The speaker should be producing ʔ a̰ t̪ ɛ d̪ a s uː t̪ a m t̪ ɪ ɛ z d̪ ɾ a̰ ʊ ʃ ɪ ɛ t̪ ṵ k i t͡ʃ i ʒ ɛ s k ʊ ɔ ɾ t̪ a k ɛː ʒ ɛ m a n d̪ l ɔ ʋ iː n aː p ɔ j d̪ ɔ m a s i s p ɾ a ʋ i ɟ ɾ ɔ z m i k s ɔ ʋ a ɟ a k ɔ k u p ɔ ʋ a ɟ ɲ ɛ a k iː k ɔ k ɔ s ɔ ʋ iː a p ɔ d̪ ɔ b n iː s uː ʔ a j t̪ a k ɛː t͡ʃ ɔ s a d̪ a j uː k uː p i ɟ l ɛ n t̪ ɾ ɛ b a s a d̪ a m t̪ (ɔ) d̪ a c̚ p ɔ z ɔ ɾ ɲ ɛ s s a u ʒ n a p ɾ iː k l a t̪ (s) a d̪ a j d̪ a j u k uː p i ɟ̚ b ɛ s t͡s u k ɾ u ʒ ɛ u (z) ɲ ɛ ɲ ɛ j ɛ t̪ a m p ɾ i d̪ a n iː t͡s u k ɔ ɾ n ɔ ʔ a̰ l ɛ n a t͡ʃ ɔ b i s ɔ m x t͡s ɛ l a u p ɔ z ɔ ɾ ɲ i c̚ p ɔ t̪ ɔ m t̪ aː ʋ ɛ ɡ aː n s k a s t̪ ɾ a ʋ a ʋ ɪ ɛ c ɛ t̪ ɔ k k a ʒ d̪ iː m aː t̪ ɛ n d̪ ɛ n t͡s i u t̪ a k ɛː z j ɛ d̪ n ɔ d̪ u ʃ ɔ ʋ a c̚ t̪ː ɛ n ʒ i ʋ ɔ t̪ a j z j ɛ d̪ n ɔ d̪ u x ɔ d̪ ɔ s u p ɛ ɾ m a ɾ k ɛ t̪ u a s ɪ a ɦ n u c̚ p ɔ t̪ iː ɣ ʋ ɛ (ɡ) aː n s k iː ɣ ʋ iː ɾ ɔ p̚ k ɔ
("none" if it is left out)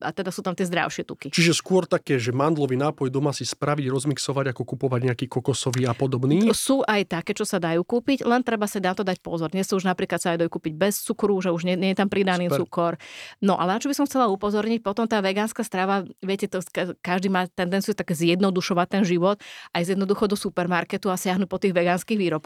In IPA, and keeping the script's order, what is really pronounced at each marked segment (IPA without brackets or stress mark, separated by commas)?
ɔ, s, ʒ, ɡ